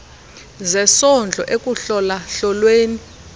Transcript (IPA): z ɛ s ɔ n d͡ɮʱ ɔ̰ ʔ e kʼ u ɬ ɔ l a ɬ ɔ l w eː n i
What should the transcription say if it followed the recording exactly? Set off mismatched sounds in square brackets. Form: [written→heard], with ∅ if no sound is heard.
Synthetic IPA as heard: z ɛ s ɔ n d͡ɮʱ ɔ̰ ʔ e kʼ u ɬ ɔ l a ɬ ɔ l w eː n i